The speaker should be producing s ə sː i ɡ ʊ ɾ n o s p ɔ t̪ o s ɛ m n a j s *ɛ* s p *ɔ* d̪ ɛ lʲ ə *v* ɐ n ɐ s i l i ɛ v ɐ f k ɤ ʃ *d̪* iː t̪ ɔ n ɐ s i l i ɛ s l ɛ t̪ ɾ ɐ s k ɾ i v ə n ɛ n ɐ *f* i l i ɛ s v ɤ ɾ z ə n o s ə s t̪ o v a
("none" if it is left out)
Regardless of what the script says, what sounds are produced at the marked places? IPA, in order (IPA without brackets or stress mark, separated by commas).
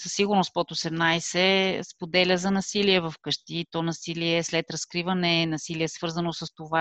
ɛ, o, z, t̪, s